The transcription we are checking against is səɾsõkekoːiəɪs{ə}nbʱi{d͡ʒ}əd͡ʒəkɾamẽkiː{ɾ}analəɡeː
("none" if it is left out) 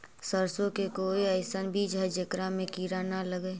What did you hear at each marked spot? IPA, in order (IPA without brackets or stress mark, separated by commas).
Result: ə, d͡ʒ, ɾ